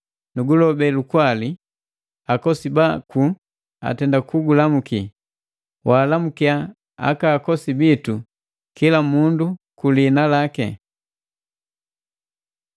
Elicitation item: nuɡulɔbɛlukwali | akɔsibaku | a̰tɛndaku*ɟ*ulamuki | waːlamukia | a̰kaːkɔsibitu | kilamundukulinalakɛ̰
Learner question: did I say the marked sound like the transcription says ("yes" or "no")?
no